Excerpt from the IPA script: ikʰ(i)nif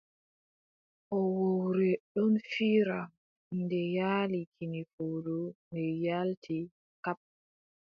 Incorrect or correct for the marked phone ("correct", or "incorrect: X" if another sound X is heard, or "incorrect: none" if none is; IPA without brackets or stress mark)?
correct